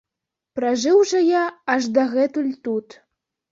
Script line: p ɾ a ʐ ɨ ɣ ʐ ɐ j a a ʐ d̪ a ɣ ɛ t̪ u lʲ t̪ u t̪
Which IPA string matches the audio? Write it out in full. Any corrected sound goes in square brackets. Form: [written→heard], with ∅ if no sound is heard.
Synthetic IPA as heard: p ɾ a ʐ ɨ [ɣ→w] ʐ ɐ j a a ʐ d̪ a ɣ ɛ t̪ u lʲ t̪ u t̪